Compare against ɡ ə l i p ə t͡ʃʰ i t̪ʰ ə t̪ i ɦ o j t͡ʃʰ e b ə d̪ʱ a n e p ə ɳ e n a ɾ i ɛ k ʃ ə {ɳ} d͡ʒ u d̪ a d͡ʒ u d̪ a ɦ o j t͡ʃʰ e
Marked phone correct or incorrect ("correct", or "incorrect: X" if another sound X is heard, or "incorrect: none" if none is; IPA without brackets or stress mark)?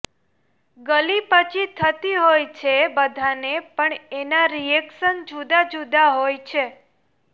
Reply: incorrect: n